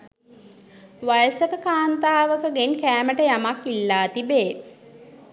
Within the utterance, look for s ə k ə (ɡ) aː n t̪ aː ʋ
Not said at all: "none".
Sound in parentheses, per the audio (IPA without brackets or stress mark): k